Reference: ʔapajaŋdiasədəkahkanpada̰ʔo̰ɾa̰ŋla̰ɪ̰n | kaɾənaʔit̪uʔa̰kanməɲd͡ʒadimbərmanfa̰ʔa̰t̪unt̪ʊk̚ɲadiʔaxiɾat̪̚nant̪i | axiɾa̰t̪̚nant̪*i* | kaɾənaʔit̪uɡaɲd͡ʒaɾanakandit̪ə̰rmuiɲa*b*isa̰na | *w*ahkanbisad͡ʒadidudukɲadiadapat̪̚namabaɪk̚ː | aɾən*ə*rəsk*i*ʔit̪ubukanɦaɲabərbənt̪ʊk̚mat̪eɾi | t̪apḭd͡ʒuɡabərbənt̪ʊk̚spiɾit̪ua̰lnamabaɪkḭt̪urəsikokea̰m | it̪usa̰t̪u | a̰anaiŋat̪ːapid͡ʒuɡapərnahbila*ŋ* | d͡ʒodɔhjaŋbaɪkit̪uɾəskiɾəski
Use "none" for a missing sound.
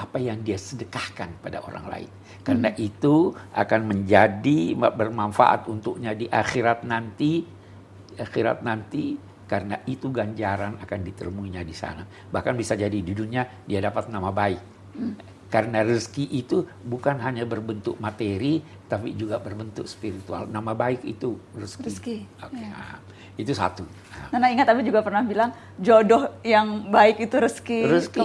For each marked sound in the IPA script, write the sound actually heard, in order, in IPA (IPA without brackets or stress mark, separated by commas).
i, d, b, a, i, ŋ